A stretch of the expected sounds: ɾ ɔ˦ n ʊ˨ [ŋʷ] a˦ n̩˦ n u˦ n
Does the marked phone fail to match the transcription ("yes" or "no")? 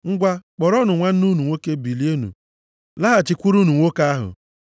no